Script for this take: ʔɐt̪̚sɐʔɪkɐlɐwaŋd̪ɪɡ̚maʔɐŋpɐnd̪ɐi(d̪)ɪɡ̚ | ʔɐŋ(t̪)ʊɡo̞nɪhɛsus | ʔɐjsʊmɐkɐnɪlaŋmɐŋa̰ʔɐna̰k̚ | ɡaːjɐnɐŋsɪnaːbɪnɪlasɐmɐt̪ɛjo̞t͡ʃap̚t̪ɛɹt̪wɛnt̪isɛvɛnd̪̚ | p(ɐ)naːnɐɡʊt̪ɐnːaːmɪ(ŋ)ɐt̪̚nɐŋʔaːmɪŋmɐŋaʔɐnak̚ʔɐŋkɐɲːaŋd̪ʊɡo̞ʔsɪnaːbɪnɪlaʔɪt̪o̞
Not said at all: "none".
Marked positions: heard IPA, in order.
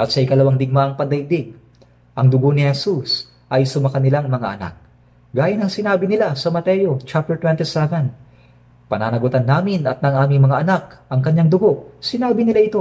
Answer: d̪, d̪, ɐ, n

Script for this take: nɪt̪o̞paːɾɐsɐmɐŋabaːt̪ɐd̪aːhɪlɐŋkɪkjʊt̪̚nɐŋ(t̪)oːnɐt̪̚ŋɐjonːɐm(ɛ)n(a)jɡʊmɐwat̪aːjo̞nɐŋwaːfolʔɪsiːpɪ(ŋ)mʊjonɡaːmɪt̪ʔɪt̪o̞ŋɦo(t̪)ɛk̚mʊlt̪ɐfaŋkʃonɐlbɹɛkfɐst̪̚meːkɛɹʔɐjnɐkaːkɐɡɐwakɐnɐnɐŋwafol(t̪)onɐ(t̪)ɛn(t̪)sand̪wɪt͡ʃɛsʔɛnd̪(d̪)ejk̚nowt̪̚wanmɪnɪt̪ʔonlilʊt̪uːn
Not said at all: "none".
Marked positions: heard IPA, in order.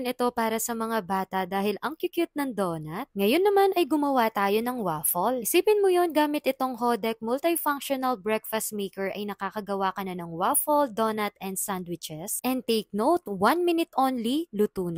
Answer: d̪, a, ɐ, n, d̪, d̪, t̪, d̪, t̪

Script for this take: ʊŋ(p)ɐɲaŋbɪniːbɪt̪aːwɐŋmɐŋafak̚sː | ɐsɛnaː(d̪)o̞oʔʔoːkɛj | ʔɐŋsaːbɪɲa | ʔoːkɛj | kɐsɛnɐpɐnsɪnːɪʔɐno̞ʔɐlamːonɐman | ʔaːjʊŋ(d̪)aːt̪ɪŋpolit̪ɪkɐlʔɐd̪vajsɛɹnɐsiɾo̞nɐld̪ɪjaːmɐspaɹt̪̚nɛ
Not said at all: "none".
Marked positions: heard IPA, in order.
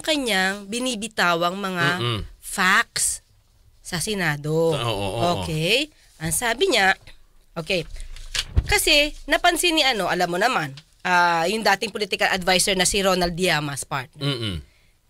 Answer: k, d̪, d̪

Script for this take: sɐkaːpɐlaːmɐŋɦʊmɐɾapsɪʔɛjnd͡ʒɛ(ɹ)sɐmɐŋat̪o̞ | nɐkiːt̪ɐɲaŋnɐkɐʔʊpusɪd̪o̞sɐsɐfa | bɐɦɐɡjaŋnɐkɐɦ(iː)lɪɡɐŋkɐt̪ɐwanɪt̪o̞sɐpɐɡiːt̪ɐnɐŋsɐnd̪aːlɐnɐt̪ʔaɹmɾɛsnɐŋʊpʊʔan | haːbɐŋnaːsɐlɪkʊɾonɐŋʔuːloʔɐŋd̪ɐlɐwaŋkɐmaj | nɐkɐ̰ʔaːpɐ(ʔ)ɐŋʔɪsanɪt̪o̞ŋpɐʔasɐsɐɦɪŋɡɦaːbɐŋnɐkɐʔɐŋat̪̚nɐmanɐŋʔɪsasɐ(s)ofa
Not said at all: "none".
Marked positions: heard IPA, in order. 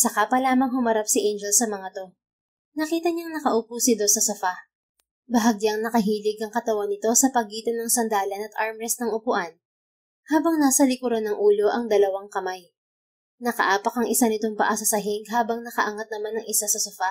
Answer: l, iː, k, s

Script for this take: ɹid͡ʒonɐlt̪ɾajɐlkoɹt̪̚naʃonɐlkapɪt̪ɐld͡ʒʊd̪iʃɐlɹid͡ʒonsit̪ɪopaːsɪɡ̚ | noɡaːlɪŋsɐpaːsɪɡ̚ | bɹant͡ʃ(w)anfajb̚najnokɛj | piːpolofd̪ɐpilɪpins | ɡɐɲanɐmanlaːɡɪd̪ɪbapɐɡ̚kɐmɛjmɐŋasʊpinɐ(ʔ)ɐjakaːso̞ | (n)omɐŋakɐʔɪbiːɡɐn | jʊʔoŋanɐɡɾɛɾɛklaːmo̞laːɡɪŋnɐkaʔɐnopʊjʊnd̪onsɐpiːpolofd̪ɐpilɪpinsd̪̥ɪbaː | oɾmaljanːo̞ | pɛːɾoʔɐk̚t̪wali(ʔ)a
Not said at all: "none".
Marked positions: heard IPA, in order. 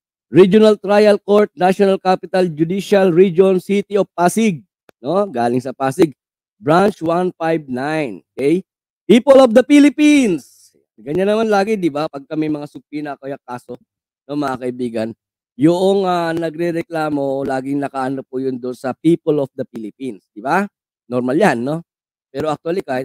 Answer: w, k, n, k

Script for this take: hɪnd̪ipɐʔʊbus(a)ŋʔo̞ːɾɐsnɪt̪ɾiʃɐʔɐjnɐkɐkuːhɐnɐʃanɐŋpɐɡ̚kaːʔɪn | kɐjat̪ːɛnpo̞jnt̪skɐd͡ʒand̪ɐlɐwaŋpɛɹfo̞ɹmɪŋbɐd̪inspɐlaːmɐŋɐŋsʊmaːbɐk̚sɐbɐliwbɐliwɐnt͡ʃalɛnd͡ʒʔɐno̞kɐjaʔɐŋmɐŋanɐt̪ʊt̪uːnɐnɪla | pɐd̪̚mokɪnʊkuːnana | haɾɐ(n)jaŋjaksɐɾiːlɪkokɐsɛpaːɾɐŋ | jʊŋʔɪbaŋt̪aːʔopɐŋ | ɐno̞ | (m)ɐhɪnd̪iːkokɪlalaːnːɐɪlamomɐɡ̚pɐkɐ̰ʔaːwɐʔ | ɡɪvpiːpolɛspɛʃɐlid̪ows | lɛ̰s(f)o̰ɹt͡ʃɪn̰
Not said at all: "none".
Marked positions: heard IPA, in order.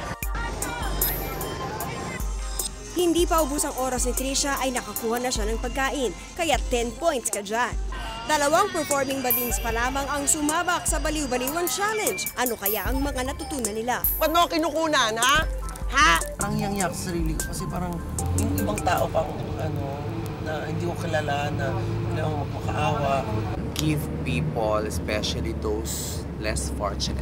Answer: ɐ, ŋ, n, f

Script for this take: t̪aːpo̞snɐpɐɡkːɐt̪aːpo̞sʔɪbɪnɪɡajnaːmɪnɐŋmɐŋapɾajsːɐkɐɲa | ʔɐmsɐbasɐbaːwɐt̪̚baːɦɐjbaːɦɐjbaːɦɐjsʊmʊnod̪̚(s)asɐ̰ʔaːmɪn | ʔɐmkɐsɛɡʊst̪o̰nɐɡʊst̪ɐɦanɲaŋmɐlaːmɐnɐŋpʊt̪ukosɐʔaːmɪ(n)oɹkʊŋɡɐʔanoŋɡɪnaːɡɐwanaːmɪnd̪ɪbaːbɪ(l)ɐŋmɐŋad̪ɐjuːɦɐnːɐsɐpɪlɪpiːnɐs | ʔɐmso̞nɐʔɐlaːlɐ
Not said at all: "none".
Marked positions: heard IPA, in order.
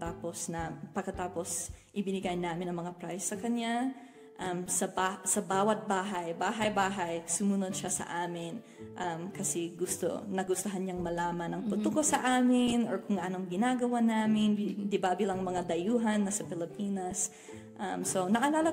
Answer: ʃ, n, l

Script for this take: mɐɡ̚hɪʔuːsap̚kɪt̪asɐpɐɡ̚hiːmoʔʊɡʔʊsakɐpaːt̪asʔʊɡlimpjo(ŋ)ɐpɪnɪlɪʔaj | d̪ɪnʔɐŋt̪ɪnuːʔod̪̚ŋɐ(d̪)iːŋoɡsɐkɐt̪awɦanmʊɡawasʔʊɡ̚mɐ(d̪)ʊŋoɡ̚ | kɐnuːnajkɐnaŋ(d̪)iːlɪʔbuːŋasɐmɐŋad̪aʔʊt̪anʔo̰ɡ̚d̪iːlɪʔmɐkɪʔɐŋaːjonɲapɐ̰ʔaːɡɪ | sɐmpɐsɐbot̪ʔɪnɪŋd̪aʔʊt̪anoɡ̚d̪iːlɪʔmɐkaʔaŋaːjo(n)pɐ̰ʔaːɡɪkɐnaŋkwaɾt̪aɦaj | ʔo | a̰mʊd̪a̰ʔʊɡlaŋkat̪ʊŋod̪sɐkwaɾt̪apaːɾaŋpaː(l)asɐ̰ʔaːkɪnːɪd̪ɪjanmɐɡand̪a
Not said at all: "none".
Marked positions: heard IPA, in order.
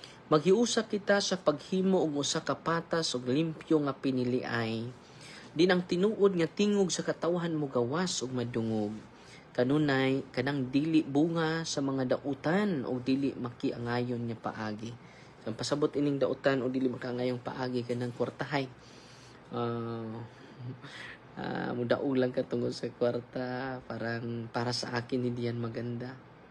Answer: ŋ, t̪, d̪, d̪, ŋ, ɾ

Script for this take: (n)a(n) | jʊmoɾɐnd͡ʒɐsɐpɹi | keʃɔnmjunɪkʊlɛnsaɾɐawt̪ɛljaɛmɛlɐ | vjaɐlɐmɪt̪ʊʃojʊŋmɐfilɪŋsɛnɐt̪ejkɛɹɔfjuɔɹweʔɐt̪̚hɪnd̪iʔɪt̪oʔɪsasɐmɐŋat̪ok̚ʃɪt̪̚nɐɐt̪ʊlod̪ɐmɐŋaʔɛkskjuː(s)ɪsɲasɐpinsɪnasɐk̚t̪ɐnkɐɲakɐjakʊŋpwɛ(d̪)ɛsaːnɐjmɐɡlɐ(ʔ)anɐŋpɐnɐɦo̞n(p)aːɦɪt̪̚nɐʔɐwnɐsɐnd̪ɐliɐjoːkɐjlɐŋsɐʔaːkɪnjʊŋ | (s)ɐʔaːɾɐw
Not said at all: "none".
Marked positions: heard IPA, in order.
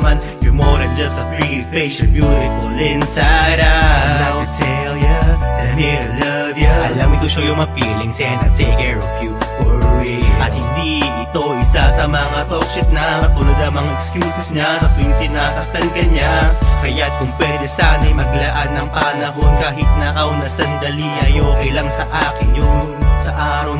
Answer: m, n, s, d̪, ʔ, k, s

